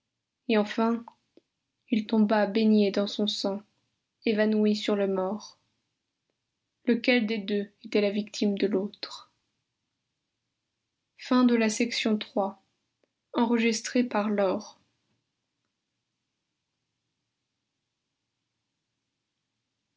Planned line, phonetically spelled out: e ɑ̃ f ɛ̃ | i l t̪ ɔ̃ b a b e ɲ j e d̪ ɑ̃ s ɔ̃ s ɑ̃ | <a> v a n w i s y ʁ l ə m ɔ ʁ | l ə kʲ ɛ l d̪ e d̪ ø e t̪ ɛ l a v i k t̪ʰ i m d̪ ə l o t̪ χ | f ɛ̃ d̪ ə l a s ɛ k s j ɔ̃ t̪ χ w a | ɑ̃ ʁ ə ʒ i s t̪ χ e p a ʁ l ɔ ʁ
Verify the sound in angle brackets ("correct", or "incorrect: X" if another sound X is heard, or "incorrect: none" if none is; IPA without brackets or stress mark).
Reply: incorrect: e